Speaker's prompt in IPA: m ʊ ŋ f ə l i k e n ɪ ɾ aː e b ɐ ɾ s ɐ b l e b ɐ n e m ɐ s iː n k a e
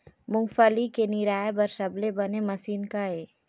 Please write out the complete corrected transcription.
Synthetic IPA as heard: m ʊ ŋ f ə l i k e n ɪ ɾ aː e b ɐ ɾ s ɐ b l e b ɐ n e m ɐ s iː n k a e